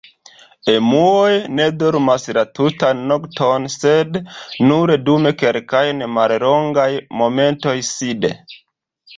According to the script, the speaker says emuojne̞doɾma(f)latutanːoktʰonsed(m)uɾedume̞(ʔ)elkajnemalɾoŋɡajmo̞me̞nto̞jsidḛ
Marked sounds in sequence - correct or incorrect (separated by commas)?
incorrect, incorrect, incorrect